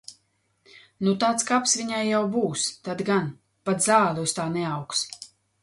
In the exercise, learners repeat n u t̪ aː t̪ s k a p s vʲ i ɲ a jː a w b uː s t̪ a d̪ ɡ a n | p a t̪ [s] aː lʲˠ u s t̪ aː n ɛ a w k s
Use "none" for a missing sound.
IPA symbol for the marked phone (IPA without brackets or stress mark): z